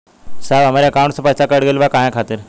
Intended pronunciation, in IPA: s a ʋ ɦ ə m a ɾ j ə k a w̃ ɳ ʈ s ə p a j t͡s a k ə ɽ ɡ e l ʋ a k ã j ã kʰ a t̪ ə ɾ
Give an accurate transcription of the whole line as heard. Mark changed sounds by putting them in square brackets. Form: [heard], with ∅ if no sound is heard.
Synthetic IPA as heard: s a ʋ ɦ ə m a ɾ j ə k a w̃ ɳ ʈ s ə p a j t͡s a k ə ɽ ɡ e l ʋ a k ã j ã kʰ a t̪ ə ɾ